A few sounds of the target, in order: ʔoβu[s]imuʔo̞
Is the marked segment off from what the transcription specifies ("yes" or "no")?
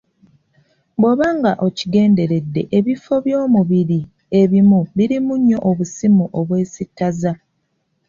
no